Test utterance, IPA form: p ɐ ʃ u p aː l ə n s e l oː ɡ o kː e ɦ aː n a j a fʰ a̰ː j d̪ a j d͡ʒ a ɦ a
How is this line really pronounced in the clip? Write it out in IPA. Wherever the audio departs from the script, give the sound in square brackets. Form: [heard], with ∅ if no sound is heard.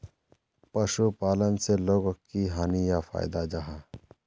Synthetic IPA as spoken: p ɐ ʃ u p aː l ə n s e l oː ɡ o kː [i] ɦ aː n [i] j a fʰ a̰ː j d̪ a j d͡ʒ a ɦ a